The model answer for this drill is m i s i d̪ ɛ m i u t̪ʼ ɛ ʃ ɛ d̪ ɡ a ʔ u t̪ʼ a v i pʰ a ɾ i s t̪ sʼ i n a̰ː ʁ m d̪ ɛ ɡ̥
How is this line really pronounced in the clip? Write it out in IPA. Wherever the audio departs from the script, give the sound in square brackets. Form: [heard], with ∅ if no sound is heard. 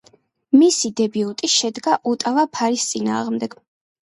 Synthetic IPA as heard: m i s i d̪ ɛ [b] i u t̪ʼ [i] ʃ ɛ d̪ ɡ a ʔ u t̪ʼ a v [a] pʰ a ɾ i s t̪ sʼ i n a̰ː ʁ m d̪ ɛ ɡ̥